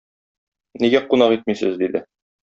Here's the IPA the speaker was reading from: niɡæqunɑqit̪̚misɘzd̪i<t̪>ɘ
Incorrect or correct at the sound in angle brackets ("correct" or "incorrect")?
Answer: incorrect